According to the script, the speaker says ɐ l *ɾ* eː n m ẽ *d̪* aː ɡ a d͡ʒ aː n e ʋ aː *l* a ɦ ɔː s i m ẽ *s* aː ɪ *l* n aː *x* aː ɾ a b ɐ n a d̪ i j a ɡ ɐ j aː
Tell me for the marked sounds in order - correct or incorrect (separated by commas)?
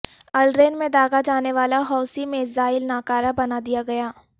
correct, correct, correct, incorrect, correct, incorrect